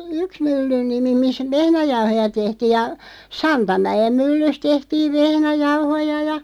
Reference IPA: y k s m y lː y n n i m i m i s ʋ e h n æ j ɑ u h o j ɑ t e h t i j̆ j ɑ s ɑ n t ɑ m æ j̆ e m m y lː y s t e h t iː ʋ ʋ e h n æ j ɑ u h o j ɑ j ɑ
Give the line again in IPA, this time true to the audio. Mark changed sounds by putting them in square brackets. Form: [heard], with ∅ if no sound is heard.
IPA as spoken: y k s m y lː y n n i m i m i s ʋ e h n æ j ɑ u h o j ɑ t e h t [iː] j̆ j ɑ s ɑ n t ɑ m æ j̆ e m m y lː y s t e h t iː ʋ ʋ e h n æ j ɑ u h o j ɑ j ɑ